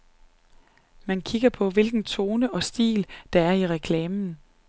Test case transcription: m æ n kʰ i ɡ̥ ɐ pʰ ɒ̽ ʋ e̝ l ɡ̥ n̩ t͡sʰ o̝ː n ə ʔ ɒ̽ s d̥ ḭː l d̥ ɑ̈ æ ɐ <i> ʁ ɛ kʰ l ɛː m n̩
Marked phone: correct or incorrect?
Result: correct